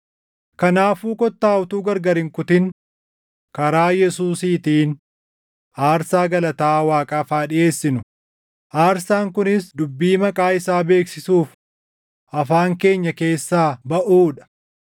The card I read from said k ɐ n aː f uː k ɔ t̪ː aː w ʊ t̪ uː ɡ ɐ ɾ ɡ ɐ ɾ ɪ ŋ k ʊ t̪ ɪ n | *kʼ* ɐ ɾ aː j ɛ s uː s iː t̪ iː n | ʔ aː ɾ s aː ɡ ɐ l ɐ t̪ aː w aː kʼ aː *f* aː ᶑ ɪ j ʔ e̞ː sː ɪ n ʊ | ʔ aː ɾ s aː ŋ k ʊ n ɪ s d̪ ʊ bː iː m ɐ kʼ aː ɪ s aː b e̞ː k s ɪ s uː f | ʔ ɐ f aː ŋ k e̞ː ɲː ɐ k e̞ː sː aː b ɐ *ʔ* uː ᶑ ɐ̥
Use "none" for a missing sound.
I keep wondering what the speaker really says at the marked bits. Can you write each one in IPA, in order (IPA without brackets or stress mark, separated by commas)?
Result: k, f, ʔ